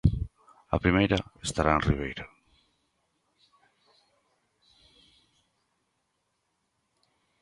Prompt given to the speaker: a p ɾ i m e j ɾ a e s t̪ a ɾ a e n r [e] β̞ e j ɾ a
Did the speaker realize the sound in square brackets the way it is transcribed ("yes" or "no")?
no